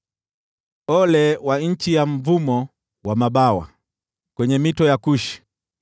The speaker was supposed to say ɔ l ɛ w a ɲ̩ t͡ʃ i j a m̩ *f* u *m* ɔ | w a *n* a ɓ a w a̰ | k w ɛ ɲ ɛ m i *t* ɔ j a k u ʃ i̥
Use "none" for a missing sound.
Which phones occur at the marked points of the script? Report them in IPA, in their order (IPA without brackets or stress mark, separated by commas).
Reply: v, m, m, t